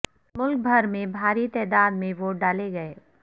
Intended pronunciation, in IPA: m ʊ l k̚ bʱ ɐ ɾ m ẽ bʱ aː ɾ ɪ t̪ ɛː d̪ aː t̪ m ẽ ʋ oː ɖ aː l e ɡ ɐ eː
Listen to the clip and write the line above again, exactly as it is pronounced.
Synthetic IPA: m ʊ l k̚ bʱ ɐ ɾ m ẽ bʱ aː ɾ i t̪ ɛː d̪ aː d̪ m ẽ ʋ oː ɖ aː l e ɡ ɐ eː